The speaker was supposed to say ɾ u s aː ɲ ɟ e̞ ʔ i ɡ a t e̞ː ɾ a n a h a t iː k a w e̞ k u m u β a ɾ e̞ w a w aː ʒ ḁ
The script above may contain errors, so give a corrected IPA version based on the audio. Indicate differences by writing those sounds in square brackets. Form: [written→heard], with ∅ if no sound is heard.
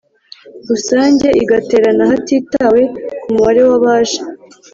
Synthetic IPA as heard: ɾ u s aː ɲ ɟ e̞ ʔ i ɡ a t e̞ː ɾ a n a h a t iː [k→t] a w e̞ k u m u β a ɾ e̞ w a [w→β] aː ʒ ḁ